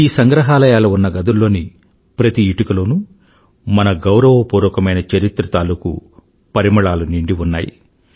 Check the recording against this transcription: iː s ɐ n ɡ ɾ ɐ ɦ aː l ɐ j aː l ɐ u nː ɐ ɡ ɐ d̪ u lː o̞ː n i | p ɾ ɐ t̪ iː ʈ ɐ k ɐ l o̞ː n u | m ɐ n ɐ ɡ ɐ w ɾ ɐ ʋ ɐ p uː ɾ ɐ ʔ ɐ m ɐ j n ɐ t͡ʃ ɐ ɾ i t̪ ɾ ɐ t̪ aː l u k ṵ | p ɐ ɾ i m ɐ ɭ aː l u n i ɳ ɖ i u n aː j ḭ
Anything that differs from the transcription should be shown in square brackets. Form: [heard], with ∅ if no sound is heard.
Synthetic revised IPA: iː s ɐ [ŋ] ɡ ɾ ɐ ɦ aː l ɐ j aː l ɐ u nː ɐ ɡ ɐ d̪ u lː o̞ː n i | p ɾ ɐ t̪ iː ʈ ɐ k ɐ l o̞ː n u | m ɐ n ɐ ɡ ɐ w ɾ ɐ ʋ ɐ p uː ɾ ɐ [k] ɐ m ɐ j n ɐ t͡ʃ ɐ ɾ i t̪ ɾ ɐ t̪ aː l u k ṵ | p ɐ ɾ i m ɐ ɭ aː l u n i ɳ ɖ i u [nː] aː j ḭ